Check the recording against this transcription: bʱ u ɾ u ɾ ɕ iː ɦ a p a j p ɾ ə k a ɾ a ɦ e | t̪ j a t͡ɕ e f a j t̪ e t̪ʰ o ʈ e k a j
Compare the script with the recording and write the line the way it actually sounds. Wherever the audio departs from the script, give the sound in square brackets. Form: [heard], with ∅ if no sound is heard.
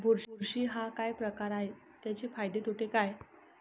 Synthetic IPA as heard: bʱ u ɾ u ɾ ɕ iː ɦ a [k] a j p ɾ ə k a ɾ a ɦ e | t̪ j a t͡ɕ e f a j [d̪] e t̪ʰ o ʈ e k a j